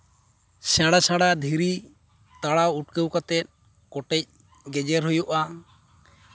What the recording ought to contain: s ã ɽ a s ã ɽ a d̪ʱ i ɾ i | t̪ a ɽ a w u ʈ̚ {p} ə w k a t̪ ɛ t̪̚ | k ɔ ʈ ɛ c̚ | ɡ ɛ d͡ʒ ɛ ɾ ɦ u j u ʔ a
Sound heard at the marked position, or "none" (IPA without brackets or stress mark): k